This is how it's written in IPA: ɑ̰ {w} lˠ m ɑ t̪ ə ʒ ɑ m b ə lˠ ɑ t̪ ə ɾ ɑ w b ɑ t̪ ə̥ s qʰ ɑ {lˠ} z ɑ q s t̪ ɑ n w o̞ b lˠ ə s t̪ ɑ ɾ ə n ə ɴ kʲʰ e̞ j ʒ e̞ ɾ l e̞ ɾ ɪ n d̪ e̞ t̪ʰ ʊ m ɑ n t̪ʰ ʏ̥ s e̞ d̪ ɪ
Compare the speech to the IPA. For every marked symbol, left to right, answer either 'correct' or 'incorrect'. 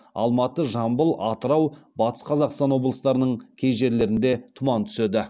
incorrect, incorrect

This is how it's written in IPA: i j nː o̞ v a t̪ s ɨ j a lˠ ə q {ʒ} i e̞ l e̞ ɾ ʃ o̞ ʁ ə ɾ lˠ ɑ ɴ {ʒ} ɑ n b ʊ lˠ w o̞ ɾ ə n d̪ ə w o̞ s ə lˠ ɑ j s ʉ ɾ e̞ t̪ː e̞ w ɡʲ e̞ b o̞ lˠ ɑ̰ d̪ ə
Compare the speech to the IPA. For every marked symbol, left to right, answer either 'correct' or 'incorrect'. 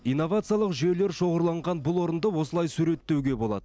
correct, incorrect

